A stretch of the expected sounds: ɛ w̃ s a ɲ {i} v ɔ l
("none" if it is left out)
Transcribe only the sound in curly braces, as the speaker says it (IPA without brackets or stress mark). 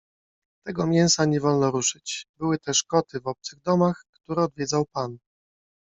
ɛ